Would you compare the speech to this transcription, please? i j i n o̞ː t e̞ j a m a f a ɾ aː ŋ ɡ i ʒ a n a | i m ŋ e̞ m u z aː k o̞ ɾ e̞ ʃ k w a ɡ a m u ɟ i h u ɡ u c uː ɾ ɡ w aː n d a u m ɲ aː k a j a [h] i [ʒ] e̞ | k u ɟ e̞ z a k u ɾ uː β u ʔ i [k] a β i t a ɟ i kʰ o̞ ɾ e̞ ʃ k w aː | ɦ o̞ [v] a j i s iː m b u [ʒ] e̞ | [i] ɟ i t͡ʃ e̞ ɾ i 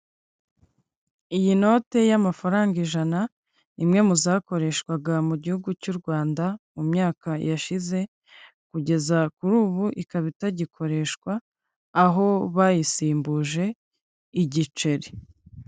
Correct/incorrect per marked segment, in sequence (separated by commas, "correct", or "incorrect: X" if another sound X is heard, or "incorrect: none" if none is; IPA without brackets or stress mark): incorrect: ʃ, incorrect: z, correct, incorrect: β, correct, correct